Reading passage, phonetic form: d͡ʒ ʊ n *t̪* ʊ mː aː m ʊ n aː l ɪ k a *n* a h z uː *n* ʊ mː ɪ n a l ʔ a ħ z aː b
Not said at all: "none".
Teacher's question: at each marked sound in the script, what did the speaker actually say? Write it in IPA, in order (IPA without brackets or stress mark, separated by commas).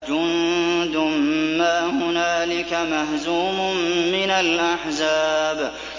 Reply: d̪, m, m